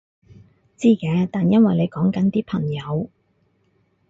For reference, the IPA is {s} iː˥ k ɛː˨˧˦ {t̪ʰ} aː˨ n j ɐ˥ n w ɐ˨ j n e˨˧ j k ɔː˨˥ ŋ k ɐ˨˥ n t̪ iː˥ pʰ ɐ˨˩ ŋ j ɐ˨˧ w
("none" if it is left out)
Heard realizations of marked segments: t͡s, t̪

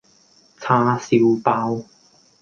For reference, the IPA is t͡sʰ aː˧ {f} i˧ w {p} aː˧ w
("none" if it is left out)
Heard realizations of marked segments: s, p

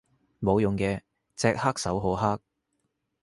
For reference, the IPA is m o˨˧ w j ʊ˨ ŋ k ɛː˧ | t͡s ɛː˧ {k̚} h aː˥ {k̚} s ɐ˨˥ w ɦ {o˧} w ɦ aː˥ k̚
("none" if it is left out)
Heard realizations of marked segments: k̚, k̚, o˨˥

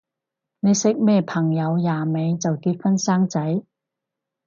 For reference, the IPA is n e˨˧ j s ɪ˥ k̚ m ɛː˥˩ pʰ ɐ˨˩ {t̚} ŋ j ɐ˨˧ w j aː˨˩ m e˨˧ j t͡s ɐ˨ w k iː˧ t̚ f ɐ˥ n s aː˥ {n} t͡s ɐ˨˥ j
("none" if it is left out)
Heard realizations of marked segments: none, ŋ

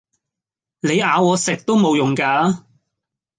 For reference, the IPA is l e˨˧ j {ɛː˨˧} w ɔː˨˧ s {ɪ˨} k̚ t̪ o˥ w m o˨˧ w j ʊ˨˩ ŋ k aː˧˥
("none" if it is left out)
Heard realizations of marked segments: aː˨˧, ɪ˨

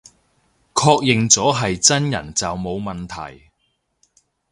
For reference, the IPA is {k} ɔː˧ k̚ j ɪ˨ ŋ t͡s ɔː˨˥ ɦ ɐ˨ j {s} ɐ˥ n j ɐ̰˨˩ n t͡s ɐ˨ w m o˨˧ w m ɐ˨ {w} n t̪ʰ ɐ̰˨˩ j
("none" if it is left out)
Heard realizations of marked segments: kʰ, t͡s, none

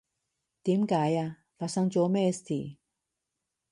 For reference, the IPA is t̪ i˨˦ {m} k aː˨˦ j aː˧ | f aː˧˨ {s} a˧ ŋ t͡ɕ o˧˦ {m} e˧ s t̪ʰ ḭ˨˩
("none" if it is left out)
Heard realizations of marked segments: m, s, m

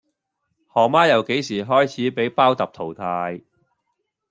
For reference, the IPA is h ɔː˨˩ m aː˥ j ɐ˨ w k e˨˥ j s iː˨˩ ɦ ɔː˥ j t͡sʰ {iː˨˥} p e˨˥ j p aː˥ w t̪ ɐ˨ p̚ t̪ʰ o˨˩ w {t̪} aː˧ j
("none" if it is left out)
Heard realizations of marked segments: iː˨˥, t̪ʰ

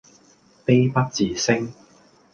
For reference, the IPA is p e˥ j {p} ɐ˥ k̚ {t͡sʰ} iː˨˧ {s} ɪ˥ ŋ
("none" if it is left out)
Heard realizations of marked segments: p, t͡s, s

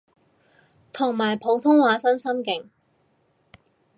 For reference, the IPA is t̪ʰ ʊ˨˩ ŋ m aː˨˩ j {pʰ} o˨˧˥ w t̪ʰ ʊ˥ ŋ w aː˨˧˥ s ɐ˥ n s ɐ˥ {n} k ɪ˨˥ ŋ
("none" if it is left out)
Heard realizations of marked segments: pʰ, m

